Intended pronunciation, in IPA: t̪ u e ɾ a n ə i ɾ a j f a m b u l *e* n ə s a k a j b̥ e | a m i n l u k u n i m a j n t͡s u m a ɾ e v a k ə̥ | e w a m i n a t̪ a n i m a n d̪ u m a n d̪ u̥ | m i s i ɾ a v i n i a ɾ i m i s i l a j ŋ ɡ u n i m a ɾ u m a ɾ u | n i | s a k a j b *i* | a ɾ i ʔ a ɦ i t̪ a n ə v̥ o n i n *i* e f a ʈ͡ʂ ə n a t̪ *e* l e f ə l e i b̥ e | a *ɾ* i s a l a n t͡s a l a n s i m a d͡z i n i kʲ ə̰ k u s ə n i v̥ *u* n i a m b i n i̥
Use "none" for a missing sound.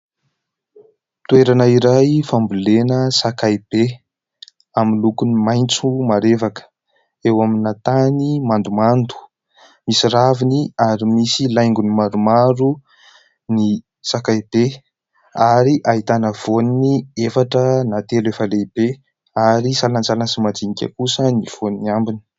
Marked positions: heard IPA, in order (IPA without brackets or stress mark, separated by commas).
e, e, i, e, ɾ, o